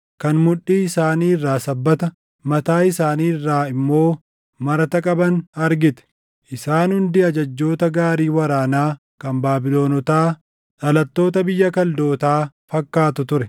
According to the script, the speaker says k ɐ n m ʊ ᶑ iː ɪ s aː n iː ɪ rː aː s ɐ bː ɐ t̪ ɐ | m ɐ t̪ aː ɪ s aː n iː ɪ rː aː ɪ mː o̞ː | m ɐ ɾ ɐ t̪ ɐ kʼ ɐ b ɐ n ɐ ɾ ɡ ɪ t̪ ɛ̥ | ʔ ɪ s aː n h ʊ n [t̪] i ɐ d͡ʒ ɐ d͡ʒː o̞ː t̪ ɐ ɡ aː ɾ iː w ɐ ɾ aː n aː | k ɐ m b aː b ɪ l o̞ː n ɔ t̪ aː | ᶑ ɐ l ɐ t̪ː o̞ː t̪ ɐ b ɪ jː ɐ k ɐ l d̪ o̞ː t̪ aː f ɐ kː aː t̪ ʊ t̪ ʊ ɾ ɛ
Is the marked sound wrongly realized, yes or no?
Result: yes